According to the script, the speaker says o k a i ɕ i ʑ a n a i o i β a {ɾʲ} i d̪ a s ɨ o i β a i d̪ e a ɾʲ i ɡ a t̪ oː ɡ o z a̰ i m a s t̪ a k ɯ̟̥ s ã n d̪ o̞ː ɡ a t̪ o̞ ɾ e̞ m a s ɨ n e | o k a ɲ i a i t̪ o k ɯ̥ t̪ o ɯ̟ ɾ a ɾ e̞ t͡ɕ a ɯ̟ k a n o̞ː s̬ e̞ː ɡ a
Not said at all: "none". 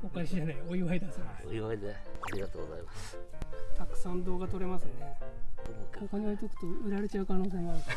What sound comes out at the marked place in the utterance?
none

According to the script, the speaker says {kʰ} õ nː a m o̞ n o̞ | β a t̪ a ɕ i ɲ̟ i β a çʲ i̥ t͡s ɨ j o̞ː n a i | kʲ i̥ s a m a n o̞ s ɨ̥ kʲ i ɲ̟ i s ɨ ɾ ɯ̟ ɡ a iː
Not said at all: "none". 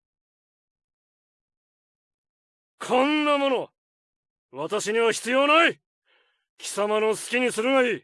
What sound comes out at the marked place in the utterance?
kʰ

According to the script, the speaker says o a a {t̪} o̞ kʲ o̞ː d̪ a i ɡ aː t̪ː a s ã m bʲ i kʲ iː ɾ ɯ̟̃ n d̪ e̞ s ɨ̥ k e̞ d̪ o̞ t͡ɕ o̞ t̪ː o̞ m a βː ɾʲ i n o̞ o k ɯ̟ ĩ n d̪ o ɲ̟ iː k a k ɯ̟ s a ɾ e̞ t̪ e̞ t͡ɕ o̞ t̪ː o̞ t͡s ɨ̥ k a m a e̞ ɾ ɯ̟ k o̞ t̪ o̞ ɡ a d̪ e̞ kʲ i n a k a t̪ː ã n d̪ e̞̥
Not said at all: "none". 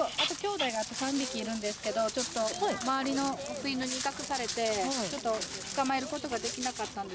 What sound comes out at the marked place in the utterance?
t̪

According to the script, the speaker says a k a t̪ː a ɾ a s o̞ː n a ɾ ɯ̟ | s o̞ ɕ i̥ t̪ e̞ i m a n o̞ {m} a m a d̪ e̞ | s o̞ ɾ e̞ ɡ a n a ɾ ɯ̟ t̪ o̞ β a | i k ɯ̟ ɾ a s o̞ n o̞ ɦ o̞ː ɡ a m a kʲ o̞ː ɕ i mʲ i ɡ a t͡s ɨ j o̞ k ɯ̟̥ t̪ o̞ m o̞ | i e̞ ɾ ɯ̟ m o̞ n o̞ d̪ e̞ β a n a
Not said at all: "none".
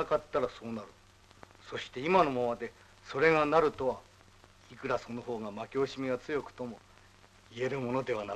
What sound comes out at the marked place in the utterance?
m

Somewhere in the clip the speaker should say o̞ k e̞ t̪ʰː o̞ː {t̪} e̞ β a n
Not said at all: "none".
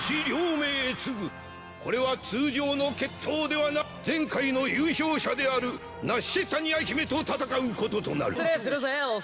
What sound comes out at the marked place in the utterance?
d̪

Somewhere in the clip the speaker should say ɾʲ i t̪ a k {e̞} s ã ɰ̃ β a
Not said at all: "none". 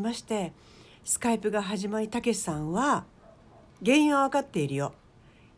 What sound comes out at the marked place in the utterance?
e̞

